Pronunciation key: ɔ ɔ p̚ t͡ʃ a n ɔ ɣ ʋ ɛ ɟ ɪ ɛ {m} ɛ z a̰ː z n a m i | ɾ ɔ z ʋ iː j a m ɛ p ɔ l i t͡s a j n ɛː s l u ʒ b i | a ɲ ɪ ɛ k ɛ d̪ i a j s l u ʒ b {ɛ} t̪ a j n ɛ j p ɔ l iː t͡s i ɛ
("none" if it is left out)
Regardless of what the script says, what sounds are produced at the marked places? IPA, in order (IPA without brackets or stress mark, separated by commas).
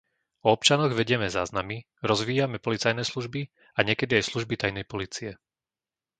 m, i